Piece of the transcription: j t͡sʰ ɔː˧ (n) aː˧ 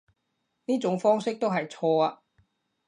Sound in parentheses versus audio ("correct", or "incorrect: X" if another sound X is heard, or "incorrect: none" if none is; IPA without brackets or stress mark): incorrect: none